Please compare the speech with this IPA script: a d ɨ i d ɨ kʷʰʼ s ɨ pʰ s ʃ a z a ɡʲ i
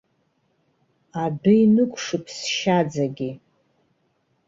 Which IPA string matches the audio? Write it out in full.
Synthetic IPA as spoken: a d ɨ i n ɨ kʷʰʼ ʂ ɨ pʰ s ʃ a d͡z a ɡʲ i